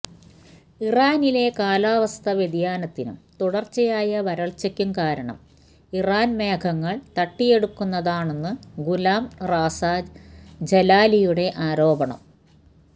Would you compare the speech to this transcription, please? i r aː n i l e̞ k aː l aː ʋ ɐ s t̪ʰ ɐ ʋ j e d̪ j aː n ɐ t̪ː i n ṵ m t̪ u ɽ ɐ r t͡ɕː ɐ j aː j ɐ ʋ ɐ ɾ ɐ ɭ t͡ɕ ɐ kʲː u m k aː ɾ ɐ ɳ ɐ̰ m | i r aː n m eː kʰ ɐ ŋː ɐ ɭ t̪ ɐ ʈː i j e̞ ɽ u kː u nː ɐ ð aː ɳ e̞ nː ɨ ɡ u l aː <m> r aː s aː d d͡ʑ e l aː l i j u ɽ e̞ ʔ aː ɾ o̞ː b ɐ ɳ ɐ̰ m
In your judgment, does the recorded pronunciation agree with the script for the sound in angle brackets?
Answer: yes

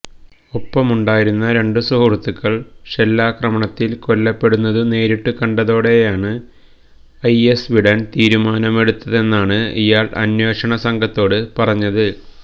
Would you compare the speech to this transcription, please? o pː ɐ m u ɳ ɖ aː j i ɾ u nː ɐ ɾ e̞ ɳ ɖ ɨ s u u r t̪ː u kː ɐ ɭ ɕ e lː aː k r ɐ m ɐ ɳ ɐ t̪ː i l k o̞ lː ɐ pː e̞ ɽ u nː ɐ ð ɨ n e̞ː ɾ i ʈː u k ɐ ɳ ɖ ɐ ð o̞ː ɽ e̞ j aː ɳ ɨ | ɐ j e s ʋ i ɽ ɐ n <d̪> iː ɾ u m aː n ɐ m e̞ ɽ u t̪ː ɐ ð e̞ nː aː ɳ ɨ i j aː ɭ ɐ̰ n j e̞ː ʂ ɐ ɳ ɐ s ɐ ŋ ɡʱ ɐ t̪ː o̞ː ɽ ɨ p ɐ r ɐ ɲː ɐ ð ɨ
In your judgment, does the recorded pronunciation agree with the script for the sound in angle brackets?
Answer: no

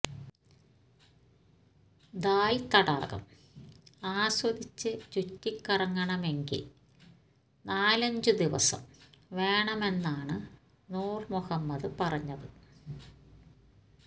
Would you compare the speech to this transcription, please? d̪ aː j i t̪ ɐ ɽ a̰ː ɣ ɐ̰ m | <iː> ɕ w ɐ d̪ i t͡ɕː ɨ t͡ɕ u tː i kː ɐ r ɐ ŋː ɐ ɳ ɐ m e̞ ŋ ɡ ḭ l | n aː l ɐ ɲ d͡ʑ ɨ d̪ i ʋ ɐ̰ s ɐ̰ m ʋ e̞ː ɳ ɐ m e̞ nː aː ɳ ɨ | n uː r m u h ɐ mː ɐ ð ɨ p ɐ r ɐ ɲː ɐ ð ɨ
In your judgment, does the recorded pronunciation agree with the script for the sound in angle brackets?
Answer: no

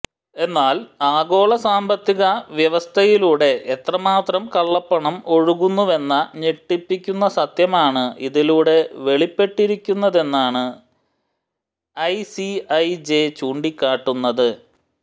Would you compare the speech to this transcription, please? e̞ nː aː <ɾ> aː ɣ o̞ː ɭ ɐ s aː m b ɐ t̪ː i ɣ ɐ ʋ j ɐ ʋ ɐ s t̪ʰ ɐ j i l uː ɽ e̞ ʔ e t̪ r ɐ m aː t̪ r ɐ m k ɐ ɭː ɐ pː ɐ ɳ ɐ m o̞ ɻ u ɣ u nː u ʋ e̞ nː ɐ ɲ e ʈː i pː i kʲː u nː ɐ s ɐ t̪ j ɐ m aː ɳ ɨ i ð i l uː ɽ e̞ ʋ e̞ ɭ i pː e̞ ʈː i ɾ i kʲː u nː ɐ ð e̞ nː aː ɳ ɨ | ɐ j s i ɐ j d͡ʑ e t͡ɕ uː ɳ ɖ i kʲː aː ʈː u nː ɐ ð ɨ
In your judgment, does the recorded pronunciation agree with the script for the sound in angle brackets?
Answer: no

